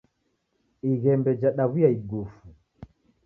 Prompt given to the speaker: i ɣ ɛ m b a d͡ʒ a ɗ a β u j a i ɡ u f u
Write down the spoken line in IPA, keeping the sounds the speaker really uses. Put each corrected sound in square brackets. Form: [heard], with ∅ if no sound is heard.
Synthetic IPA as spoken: i ɣ ɛ m b [ɛ] d͡ʒ a ɗ a β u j a i ɡ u f u